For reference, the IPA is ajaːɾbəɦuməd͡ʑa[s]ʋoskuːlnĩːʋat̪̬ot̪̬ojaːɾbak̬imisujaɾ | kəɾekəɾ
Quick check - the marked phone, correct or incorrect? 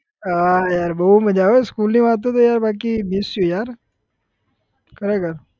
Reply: incorrect